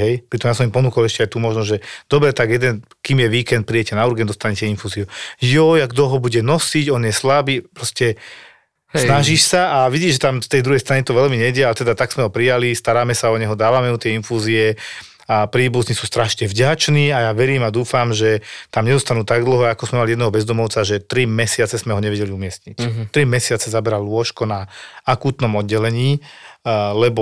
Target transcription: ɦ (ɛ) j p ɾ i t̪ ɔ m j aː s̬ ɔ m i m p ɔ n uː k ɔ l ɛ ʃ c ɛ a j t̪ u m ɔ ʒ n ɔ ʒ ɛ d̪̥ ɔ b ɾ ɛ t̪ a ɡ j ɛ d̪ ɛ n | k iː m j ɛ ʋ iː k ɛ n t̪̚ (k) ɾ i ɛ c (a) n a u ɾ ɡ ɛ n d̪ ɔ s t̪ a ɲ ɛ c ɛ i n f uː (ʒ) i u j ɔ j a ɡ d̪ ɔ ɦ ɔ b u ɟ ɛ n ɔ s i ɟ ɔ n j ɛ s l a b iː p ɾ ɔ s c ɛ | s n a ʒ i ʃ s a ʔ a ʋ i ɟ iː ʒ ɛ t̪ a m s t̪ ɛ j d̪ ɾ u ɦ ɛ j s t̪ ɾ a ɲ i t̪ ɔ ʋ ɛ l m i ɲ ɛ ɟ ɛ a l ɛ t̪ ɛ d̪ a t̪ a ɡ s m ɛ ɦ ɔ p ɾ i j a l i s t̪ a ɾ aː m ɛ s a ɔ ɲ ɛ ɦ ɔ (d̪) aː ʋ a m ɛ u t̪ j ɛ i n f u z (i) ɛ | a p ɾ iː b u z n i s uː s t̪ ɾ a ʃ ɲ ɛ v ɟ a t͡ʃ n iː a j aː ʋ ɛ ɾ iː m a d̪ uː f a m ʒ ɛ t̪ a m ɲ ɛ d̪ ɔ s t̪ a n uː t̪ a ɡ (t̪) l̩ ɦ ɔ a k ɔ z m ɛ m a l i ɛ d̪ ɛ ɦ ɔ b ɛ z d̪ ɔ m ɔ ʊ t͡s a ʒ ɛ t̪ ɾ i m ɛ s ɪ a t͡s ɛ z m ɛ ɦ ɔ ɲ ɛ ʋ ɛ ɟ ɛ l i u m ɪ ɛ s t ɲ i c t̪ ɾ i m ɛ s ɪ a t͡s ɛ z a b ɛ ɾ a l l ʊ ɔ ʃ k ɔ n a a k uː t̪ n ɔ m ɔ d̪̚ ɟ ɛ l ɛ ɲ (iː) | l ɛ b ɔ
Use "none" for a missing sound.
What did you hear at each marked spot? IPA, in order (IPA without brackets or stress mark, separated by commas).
ɛ, p, ɛ, z, d̪, i, d̪, iː